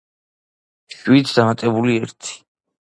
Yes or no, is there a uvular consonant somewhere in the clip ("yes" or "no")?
no